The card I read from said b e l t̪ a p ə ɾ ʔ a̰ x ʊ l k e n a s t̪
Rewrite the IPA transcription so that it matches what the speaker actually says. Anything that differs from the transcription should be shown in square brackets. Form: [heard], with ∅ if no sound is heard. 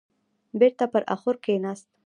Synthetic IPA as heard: b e [ɾ] t̪ a p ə ɾ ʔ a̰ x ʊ [ɾ] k e n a s t̪